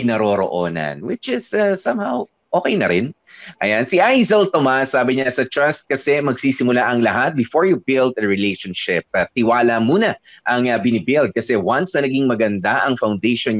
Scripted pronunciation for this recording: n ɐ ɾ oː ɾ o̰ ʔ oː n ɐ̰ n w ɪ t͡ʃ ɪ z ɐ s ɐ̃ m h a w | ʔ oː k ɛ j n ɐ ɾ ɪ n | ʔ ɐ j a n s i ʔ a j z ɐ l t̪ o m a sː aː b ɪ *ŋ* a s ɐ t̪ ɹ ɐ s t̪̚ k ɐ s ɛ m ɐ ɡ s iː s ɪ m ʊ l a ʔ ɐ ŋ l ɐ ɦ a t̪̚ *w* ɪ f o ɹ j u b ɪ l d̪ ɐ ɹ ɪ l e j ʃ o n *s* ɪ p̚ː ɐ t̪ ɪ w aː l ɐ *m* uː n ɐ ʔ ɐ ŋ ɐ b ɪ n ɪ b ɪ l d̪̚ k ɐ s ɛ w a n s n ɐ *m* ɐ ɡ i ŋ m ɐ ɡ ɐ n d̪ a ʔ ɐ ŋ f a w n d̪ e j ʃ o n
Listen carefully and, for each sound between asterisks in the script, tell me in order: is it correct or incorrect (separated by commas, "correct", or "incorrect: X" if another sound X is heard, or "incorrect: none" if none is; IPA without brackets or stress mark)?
incorrect: ɲ, incorrect: b, incorrect: ʃ, correct, incorrect: n